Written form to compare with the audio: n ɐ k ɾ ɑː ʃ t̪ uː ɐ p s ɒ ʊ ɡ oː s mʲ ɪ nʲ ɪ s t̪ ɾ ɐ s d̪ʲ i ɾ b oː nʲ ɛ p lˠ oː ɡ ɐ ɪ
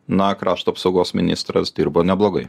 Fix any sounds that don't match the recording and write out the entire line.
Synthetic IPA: n ɐ k ɾ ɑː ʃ t̪ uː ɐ p s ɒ ʊ ɡ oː s mʲ ɪ nʲ ɪ s t̪ ɾ ɐ s d̪ʲ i ɾ b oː nʲ ɛ b lˠ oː ɡ ɐ ɪ